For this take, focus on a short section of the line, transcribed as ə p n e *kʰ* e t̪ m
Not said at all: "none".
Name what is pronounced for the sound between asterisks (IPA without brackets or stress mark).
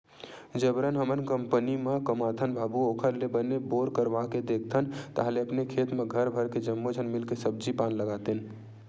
kʰ